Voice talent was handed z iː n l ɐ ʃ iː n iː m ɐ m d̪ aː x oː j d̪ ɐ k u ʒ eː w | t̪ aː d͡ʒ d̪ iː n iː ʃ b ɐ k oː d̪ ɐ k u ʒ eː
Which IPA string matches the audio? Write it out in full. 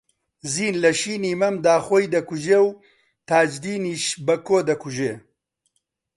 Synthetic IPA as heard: z iː n l ɐ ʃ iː n iː m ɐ m d̪ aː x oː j d̪ ɐ k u ʒ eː w | t̪ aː d͡ʒ d̪ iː n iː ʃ b ɐ k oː d̪ ɐ k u ʒ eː